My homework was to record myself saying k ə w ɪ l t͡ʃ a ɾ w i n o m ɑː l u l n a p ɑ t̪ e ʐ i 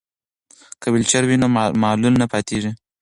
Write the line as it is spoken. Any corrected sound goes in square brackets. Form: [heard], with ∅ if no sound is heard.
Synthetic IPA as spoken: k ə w ɪ l t͡ʃ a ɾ w i n o m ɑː l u l n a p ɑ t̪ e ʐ i